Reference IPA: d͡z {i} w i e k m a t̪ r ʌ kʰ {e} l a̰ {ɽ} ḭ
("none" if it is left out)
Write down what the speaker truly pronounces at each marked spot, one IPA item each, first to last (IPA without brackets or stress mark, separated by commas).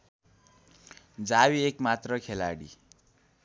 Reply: a, e, ɽ